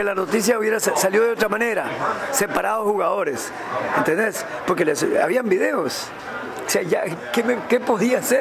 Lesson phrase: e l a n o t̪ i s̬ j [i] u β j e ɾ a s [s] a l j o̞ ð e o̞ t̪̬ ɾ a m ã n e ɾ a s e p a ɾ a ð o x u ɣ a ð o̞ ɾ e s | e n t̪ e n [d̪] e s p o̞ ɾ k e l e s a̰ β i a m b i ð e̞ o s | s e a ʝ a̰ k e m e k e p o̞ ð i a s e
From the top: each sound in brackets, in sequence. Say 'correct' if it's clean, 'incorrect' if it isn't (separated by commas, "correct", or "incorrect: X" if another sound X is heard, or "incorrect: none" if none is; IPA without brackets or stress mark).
incorrect: a, correct, correct